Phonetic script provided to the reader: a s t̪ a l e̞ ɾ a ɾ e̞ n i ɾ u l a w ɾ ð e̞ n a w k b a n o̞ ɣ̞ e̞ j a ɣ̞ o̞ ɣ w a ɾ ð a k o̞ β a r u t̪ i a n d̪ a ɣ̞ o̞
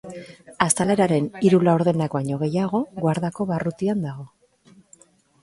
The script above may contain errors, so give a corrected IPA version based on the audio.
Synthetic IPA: a s t̪ a l e̞ ɾ a ɾ e̞ n i ɾ u l a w ɾ ð e̞ n a k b a ɲ o̞ ɣ̞ e̞ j a ɣ̞ o̞ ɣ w a ɾ ð a k o̞ β a r u t̪ i a n d̪ a ɣ̞ o̞